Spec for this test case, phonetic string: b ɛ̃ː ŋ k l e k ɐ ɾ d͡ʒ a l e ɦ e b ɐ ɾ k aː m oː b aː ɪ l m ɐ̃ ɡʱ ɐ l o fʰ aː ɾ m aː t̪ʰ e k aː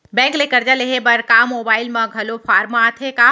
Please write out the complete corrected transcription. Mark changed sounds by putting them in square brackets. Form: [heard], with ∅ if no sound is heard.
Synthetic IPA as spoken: b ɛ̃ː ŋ k l e k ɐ ɾ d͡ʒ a l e ɦ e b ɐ ɾ k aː m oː b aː ɪ l m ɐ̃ ɡʱ ɐ l o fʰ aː ɾ m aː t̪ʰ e k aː